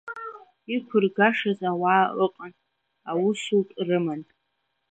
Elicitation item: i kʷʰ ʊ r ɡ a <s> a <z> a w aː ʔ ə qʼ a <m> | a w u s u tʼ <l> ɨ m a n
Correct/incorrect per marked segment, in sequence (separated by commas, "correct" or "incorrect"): incorrect, correct, incorrect, incorrect